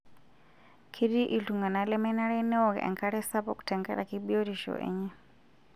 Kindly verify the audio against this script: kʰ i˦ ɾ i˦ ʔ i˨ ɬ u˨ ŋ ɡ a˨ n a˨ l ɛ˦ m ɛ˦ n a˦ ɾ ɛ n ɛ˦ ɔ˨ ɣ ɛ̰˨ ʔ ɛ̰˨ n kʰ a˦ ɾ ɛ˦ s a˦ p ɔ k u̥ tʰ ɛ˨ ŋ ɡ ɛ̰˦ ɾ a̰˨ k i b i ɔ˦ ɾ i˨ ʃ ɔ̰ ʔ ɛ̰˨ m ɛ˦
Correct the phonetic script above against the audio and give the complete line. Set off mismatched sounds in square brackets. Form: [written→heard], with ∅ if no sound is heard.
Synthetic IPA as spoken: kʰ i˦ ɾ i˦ ʔ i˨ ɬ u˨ ŋ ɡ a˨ n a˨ l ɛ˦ m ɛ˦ n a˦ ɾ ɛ n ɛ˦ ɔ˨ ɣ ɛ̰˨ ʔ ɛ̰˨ [n→ŋ] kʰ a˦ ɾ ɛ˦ s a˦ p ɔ k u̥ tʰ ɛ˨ ŋ ɡ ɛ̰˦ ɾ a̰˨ k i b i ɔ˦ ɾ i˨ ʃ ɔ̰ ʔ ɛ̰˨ [m→ɲ] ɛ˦